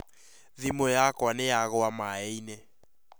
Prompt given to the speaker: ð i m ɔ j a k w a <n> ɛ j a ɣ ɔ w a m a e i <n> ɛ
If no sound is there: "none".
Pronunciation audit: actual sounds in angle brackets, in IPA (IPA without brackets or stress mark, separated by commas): n, n